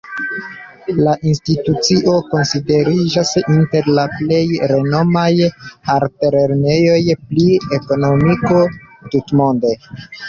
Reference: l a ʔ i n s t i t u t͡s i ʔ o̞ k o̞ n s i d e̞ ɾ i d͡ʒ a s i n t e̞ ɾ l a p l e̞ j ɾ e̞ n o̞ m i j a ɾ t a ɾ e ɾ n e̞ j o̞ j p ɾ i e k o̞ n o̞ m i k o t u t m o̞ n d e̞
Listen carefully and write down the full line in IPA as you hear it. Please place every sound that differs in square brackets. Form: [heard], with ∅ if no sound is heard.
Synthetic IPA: l a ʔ i n s t i t u t͡s i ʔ o̞ k o̞ n s i d e̞ ɾ i d͡ʒ a s i n t e̞ ɾ l a p l e̞ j ɾ e̞ n o̞ m [a] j a ɾ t [e] ɾ e ɾ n e̞ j o̞ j p [l] i e k o̞ n o̞ m i k o t u t m o̞ n d e̞